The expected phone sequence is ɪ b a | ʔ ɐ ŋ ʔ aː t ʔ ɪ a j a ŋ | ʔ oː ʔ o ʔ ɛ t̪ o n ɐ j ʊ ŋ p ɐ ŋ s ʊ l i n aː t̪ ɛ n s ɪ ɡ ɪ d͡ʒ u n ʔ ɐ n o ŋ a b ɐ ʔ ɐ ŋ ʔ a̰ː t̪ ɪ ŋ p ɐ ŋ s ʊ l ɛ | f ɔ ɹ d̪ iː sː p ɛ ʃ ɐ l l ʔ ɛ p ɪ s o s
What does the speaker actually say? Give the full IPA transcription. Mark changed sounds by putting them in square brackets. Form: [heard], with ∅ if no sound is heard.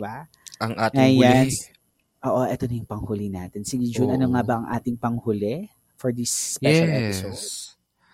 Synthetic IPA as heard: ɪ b a | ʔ ɐ ŋ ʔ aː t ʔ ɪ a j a [n] | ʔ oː ʔ o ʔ ɛ t̪ o n ɐ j ʊ ŋ p ɐ ŋ [h] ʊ l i n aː t̪ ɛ n s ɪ ɡ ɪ d͡ʒ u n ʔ ɐ n o ŋ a b ɐ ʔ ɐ ŋ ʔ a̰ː t̪ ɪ ŋ p ɐ ŋ [h] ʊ l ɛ | f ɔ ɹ d̪ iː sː p ɛ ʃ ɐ l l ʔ ɛ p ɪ s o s